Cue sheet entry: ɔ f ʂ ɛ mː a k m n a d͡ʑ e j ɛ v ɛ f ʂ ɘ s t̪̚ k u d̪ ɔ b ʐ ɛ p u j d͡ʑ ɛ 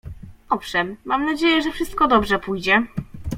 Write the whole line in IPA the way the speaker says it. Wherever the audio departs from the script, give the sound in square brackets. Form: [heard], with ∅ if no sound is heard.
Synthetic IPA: ɔ f ʂ ɛ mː a [∅] m n a d͡ʑ e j ɛ [ʐ] ɛ f ʂ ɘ s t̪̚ k [ɔ] d̪ ɔ b ʐ ɛ p u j d͡ʑ ɛ